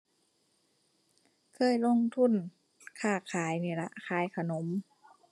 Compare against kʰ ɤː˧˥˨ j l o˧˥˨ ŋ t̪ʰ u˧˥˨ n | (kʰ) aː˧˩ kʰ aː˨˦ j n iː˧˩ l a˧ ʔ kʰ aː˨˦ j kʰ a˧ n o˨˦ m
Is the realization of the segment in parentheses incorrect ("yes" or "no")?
no